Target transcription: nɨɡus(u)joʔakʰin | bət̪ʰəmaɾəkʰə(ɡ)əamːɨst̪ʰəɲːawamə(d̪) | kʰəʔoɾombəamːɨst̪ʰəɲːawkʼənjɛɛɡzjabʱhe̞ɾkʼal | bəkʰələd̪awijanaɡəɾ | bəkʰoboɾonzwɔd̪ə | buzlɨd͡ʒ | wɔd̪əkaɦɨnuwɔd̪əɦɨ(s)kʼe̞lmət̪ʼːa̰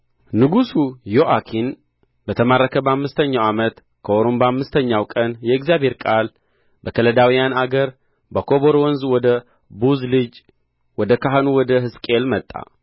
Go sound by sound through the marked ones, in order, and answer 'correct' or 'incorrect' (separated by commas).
correct, incorrect, incorrect, correct